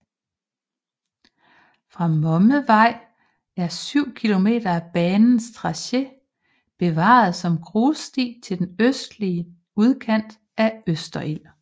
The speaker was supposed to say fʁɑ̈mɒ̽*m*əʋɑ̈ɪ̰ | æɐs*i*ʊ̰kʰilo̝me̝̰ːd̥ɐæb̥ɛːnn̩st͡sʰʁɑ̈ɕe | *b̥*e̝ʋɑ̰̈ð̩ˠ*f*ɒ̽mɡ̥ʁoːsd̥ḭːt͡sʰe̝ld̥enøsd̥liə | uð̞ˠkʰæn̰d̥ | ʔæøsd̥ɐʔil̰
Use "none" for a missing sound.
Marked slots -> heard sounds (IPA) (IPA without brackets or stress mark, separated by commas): m, y, b̥, s